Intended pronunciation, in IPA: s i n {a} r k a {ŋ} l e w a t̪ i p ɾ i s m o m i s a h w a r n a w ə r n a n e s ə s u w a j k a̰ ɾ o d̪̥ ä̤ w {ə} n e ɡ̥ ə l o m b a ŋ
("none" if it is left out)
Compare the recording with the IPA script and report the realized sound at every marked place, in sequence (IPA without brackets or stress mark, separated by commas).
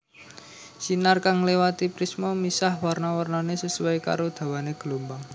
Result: a, ŋ, a